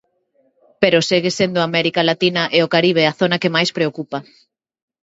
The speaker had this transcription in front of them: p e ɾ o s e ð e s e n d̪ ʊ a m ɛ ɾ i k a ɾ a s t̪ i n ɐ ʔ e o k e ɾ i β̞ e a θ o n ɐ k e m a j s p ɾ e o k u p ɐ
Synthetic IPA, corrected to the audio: p e ɾ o s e ɣ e s e n d̪ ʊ a m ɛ ɾ i k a l a t̪ i n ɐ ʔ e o k a ɾ i β̞ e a θ o n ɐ k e m a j s p ɾ e o k u p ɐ